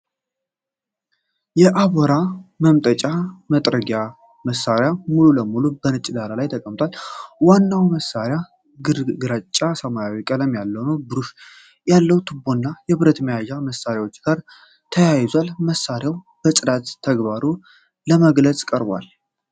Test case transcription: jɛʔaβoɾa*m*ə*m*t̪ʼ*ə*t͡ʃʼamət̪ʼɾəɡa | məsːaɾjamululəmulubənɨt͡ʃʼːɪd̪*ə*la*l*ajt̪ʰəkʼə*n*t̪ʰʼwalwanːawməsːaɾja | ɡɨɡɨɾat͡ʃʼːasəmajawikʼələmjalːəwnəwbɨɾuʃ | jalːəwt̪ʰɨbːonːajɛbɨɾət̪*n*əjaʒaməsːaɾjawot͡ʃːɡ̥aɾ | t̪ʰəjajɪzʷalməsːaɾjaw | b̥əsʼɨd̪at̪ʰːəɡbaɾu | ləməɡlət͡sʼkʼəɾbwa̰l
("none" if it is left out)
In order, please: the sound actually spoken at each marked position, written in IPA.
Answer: m, m, ə, a, l, m, m

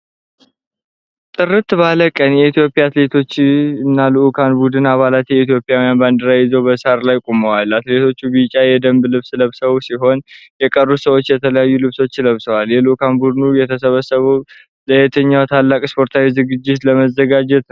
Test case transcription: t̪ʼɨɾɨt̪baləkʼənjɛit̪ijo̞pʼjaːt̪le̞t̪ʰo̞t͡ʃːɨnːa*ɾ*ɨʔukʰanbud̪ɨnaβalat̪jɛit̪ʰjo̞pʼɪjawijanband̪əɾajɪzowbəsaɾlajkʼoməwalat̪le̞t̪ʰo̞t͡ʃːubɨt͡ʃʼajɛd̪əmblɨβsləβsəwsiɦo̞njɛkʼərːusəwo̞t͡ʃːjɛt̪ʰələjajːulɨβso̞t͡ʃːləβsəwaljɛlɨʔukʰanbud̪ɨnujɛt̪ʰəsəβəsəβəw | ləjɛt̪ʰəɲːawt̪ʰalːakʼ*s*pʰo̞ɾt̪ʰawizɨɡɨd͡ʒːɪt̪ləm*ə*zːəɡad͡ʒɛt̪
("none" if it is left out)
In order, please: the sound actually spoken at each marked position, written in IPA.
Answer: l, s, ə

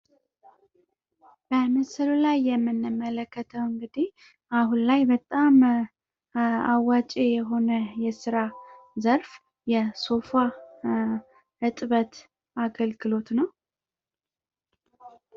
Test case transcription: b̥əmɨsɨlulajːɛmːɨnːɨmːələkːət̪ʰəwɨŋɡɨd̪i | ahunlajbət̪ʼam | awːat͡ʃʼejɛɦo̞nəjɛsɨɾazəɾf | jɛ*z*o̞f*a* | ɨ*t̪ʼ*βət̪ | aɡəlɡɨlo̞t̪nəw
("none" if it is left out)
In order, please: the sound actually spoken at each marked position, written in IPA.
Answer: s, a, t̪ʼ

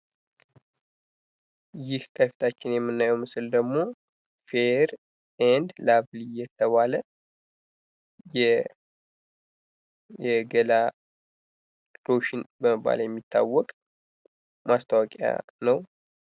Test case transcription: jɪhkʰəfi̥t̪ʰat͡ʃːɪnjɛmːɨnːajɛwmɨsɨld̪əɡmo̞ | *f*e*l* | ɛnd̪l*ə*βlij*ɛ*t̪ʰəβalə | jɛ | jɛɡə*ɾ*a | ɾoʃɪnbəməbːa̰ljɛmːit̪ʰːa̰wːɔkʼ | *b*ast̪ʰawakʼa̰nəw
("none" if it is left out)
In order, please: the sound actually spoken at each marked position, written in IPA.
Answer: f, ɾ, a, ɛ, l, m

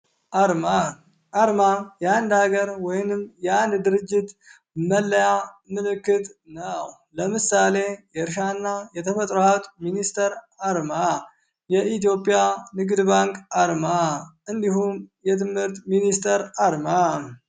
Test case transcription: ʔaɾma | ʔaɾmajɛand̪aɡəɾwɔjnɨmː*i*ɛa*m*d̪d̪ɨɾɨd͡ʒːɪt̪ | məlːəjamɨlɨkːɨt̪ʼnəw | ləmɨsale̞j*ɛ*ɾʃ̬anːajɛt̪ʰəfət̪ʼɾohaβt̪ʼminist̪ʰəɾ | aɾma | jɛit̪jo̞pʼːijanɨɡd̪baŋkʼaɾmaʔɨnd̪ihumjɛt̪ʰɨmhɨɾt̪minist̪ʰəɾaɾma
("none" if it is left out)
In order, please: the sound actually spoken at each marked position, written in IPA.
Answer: j, n, ɛ

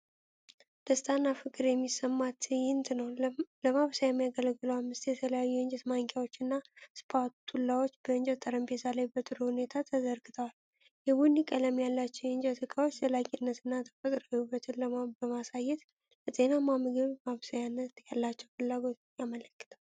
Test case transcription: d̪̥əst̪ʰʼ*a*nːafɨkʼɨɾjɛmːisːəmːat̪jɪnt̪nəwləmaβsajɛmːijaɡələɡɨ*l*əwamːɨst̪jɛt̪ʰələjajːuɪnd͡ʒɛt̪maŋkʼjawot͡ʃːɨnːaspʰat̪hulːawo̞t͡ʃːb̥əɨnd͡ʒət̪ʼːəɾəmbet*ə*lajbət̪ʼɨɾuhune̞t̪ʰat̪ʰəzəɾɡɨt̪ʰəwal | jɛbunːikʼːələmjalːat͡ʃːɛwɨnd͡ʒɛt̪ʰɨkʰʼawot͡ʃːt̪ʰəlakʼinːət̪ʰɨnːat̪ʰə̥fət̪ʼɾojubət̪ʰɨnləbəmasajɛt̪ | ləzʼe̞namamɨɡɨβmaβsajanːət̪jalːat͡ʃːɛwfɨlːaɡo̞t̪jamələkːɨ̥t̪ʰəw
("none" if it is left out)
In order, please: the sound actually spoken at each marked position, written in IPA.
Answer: a, l, a

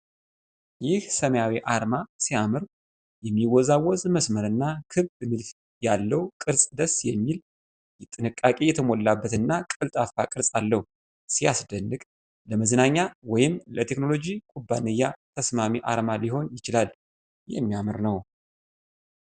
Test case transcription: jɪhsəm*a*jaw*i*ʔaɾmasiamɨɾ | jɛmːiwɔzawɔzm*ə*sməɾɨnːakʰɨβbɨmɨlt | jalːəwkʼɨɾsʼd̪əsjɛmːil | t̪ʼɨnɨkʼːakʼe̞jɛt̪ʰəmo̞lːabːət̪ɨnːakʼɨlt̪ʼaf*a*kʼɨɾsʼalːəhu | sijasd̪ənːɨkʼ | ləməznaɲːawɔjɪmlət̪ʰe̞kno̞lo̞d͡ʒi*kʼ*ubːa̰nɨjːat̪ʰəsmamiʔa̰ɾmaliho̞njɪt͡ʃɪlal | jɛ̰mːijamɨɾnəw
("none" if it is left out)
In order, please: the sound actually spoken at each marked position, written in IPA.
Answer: ə, i, ə, a, kʼ

